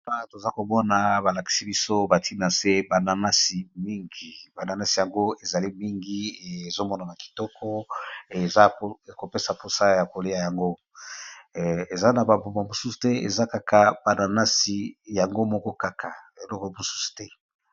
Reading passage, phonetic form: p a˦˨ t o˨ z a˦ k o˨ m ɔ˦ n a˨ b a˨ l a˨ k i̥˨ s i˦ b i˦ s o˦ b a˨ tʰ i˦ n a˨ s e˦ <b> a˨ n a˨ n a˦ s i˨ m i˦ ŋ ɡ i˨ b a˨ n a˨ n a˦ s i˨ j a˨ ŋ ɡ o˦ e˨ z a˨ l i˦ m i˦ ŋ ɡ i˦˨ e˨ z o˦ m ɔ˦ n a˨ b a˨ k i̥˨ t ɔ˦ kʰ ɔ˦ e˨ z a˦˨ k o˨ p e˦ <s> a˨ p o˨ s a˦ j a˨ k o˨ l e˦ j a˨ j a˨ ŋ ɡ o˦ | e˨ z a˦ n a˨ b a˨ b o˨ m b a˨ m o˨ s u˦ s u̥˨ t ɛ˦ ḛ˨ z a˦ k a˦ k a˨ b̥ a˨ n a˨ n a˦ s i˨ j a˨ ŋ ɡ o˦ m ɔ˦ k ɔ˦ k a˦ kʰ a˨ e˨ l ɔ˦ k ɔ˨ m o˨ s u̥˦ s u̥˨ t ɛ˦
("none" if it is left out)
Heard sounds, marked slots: b, s

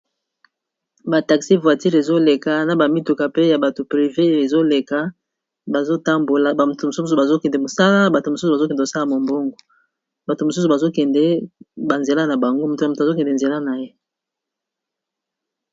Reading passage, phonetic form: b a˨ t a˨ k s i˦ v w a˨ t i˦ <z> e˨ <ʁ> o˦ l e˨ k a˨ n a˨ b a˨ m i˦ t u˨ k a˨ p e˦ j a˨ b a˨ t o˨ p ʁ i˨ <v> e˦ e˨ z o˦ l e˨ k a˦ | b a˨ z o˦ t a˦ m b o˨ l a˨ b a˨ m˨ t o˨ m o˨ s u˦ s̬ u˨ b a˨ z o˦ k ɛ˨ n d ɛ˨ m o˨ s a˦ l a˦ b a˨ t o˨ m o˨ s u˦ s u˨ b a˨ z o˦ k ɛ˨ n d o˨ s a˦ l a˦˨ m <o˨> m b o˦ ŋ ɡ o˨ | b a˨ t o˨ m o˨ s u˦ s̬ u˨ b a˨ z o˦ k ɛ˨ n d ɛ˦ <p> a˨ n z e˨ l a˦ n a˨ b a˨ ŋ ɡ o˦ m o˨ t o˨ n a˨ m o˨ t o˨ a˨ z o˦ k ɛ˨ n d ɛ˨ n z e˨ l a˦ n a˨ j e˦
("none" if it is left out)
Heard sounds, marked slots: ʁ, z, v, o˨, b

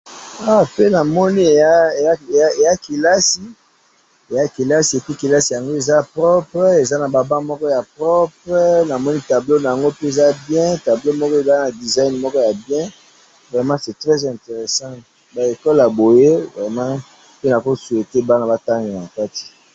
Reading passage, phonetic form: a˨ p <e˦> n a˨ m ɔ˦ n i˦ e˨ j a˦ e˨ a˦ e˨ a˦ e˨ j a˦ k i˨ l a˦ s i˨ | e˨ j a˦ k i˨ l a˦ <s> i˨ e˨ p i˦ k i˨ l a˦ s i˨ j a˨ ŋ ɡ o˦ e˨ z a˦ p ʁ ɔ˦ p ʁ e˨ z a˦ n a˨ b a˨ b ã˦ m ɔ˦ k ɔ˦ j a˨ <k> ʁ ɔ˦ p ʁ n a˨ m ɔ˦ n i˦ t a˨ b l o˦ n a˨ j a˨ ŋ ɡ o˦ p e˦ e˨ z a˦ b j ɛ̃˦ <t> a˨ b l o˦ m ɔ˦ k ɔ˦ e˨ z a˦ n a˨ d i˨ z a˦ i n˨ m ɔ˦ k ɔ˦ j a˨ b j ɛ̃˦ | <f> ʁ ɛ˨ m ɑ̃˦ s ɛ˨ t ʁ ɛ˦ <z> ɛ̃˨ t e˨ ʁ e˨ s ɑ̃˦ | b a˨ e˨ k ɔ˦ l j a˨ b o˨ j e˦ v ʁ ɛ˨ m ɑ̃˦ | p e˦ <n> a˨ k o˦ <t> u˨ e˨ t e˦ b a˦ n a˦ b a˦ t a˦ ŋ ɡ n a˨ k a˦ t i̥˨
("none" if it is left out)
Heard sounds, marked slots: e˦, s, p, t, v, z, n, s

